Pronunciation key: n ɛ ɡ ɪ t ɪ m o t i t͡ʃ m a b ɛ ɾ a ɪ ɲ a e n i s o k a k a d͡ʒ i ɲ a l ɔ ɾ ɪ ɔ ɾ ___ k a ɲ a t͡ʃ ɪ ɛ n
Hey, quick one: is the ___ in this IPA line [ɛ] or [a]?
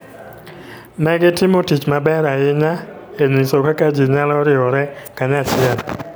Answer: ɛ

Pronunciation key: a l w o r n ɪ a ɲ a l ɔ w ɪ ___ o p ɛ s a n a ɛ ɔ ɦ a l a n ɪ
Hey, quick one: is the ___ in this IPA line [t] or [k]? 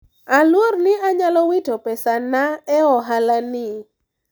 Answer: t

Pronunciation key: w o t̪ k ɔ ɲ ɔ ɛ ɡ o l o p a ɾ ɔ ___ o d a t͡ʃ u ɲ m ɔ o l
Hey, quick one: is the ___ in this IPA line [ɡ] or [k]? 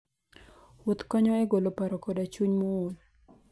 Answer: k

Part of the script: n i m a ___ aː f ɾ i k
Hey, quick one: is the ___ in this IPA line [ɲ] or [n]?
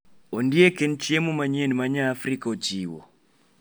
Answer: ɲ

